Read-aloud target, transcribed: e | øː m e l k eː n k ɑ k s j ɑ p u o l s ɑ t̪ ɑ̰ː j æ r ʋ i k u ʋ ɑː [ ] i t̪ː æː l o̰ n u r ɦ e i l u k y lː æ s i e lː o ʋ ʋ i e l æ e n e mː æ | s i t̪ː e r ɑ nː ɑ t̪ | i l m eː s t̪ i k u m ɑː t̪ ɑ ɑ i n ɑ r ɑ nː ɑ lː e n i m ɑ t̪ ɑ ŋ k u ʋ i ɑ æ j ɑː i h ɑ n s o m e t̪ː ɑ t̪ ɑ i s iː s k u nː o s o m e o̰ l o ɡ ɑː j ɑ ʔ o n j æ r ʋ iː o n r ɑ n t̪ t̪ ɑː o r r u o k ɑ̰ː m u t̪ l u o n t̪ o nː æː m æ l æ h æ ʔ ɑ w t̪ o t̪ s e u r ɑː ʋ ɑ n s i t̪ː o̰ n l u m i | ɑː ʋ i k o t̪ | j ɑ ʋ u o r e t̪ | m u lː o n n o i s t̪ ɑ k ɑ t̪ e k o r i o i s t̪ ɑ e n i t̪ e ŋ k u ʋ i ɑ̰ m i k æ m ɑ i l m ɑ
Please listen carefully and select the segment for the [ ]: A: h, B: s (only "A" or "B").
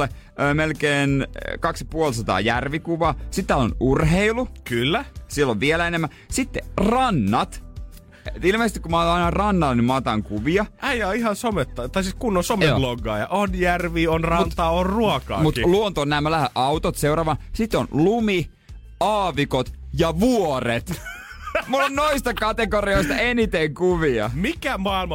B